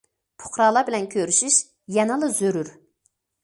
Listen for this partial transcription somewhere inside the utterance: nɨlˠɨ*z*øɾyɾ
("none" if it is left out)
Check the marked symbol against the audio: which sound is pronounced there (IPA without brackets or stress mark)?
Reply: z